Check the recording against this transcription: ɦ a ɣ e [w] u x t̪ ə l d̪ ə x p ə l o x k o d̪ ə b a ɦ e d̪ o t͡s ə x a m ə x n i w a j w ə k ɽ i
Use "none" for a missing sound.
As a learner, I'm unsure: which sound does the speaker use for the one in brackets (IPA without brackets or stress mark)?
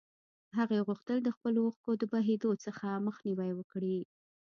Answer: ɣ